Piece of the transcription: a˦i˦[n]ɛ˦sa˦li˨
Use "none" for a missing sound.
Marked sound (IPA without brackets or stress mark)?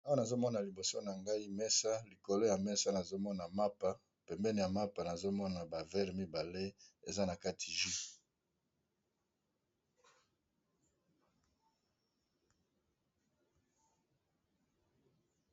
m